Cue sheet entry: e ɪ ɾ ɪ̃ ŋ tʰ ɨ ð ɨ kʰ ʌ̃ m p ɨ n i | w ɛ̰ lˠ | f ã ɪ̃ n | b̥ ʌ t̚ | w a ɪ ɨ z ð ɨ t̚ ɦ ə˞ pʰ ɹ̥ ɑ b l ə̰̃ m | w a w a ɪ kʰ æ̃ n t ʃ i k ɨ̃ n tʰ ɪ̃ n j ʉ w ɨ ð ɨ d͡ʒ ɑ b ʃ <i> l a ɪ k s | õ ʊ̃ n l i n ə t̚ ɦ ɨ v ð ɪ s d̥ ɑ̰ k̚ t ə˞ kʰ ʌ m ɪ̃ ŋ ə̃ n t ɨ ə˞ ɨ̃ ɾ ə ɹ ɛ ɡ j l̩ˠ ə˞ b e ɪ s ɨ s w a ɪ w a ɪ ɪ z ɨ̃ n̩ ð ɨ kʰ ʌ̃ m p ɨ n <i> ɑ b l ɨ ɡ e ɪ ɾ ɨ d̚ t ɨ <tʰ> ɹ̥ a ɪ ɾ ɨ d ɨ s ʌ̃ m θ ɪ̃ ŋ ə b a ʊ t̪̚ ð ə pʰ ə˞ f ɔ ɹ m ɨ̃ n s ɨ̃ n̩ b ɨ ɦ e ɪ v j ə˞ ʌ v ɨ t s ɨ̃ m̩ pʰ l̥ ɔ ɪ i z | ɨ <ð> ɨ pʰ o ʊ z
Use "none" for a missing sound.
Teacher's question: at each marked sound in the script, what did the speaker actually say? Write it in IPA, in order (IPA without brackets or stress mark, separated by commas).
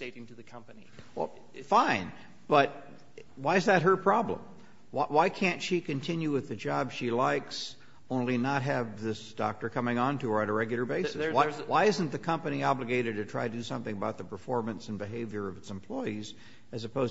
i, i, tʰ, z